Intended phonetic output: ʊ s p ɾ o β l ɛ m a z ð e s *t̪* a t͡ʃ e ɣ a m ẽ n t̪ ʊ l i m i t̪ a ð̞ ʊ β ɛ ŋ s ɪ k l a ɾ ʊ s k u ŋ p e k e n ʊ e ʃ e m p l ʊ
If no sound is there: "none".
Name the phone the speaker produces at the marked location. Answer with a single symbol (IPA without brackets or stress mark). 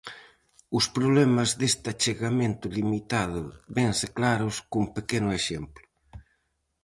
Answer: t̪